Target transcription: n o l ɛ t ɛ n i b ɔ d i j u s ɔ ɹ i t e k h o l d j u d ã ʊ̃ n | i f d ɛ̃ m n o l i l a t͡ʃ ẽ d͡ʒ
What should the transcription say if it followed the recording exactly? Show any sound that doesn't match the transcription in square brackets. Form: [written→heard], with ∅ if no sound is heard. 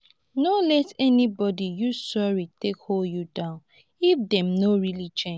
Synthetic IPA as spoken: n o l ɛ t ɛ n i b ɔ d i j u s ɔ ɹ i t e k h o l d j u d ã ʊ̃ n | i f d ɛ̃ m n o [l→ɹ] i l [a→i] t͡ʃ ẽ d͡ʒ